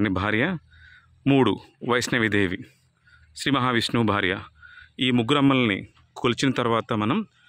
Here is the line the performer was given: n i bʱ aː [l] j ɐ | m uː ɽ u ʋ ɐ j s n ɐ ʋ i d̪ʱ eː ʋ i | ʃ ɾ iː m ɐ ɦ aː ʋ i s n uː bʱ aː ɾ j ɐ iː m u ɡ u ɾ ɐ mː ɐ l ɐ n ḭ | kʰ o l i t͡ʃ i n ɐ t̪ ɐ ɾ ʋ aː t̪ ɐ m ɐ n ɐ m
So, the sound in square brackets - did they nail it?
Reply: no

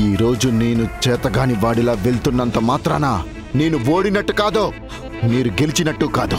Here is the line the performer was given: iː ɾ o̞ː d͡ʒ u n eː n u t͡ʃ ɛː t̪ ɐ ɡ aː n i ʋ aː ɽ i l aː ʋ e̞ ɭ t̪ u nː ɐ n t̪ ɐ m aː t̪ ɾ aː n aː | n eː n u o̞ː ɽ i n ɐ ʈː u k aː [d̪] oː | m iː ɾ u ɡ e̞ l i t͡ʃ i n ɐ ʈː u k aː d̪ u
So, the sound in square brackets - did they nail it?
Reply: yes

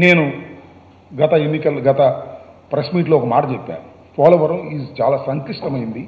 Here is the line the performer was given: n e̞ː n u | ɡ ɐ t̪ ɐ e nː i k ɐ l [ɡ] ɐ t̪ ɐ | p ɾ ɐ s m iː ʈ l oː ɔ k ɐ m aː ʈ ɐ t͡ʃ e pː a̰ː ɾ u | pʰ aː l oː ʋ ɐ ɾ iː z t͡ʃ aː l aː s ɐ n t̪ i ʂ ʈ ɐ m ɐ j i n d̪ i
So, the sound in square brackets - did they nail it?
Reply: yes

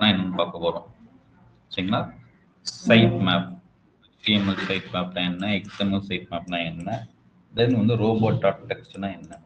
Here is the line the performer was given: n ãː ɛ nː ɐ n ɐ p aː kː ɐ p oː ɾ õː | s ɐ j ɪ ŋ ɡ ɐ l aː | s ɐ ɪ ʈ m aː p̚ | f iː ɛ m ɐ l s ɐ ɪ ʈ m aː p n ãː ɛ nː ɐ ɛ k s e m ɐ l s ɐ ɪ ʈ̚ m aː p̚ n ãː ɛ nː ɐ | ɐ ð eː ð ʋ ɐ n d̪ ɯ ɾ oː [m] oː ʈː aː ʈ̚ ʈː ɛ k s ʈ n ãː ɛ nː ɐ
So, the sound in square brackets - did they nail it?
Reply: no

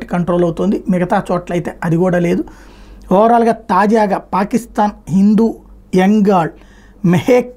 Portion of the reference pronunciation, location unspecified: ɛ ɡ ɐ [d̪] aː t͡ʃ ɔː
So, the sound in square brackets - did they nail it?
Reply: no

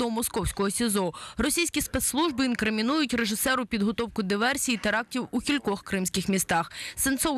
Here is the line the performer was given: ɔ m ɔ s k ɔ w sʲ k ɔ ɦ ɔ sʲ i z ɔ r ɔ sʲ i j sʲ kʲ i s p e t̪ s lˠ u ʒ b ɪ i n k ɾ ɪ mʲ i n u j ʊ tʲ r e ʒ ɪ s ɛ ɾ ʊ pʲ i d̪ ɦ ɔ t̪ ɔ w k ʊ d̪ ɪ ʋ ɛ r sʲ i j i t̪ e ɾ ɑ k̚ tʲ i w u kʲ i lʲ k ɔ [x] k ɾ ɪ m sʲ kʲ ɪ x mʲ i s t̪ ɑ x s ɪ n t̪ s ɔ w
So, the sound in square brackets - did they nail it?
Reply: yes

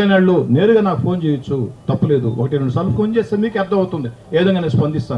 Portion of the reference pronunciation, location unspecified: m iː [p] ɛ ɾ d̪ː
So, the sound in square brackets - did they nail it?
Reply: no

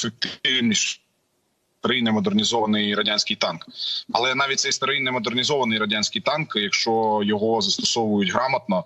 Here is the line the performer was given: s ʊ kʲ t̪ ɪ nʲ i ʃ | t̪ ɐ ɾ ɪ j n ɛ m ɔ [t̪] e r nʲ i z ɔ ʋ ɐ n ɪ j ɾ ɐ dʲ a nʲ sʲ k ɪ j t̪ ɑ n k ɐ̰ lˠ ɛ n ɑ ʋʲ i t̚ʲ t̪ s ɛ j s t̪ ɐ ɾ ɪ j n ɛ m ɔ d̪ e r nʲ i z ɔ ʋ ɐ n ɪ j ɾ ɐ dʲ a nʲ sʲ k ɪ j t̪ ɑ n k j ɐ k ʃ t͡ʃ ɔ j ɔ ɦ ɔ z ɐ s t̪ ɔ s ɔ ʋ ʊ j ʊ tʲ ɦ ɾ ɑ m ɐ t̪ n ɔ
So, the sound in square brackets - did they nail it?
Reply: no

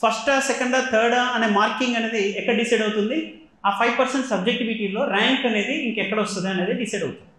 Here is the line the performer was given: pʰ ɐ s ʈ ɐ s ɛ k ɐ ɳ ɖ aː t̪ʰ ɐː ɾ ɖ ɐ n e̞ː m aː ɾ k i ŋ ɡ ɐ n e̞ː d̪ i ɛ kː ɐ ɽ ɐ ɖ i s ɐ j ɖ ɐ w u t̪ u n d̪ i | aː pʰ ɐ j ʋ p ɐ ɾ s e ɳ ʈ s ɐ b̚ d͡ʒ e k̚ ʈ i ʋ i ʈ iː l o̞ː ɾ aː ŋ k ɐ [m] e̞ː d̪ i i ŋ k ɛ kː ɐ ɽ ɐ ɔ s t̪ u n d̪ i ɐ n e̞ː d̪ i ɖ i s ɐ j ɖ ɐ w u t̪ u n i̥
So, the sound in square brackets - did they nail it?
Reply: no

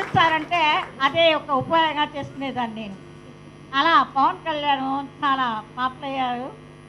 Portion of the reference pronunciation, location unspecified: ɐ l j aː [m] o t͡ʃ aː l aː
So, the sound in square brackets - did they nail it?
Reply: no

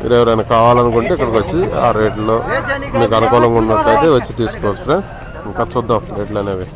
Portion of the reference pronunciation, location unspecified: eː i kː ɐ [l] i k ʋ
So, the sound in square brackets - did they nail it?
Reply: no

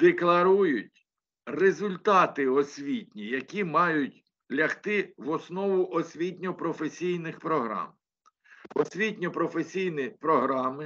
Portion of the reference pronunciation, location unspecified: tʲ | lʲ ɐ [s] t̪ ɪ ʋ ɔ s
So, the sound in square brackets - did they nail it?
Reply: no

